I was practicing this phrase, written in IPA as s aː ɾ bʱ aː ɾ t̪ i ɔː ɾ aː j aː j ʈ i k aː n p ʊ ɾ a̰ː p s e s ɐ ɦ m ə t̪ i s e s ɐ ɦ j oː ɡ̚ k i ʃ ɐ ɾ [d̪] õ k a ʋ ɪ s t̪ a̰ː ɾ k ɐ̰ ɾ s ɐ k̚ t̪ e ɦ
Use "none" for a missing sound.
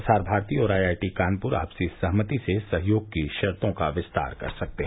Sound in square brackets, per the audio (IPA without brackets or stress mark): t̪